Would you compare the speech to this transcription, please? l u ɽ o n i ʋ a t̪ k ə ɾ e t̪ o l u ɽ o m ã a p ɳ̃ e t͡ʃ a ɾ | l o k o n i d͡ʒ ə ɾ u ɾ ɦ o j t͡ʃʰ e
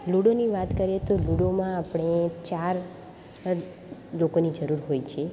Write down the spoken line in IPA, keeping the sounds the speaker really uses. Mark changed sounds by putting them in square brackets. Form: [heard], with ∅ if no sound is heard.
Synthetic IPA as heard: l u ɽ o n i ʋ a t̪ k ə ɾ e t̪ o l u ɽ o m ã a p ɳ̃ e t͡ʃ a ɾ | l o k o n i d͡ʒ ə ɾ u ɾ ɦ o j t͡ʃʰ e